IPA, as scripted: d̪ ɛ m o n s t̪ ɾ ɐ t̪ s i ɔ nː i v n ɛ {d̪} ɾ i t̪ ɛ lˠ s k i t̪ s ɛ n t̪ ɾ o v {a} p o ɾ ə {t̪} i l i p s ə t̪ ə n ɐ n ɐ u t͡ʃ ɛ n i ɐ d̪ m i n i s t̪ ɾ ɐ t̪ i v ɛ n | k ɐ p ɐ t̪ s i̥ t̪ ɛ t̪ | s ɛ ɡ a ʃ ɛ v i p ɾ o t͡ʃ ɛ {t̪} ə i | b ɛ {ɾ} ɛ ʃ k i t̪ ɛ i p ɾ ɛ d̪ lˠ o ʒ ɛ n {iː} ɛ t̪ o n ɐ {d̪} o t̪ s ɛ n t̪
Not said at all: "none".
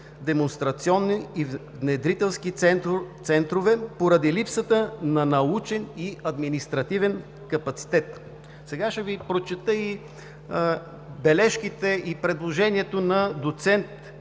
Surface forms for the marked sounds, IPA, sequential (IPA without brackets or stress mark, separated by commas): d̪, ɛ, d̪, t̪, l, i, d̪